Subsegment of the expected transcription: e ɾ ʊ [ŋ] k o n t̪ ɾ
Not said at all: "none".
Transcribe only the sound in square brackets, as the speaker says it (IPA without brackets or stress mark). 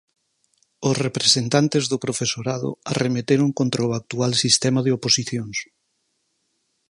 ŋ